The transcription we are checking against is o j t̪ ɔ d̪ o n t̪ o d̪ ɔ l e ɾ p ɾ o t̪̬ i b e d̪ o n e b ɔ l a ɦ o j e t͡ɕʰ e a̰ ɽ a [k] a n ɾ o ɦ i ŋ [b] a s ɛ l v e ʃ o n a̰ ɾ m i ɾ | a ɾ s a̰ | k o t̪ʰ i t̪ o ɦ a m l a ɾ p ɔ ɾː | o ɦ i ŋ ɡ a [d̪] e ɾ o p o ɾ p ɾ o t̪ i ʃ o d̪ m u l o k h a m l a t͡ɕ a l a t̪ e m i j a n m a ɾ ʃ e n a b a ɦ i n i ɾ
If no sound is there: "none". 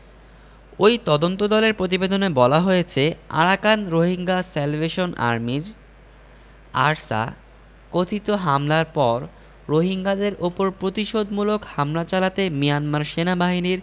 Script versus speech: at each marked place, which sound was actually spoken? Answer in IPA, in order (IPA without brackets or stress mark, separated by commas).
k, ɡ, d̪